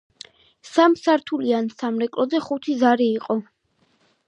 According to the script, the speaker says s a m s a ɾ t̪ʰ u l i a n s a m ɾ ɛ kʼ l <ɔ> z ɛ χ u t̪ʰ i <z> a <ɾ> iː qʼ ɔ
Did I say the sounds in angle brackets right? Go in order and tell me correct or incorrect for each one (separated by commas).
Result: correct, correct, correct